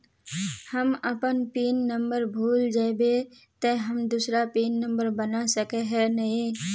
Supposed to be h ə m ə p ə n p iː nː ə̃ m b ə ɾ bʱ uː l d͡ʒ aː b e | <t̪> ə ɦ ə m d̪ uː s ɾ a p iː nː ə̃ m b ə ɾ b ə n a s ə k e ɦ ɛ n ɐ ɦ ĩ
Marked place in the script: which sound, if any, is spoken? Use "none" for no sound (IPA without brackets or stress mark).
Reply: t̪